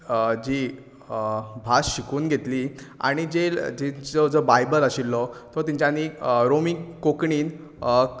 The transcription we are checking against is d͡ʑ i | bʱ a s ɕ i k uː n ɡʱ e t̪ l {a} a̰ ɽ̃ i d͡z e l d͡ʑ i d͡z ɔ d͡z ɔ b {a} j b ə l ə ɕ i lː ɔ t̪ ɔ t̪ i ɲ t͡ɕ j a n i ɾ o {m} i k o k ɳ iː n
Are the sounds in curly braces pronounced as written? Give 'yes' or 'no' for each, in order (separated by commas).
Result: no, yes, yes